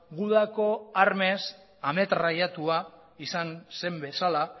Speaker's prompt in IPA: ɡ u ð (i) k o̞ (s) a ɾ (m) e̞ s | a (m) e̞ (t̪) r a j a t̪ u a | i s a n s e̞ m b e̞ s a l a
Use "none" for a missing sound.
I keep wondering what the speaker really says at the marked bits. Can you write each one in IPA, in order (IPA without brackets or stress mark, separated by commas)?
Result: a, none, m, m, t̪